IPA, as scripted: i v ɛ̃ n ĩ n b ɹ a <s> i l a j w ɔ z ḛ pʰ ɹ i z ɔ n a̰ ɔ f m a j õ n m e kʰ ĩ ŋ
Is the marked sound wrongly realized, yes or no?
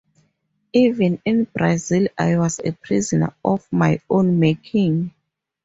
yes